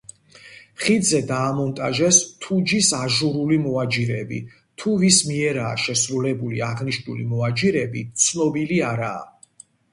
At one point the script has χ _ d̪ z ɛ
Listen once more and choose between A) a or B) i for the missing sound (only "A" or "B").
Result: B